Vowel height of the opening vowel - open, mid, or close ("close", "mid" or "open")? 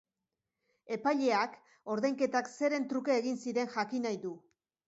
mid